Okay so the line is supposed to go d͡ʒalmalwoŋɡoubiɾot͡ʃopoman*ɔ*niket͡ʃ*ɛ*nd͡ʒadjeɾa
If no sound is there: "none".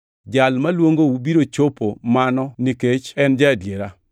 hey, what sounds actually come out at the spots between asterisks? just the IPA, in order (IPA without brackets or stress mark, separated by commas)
ɔ, ɛ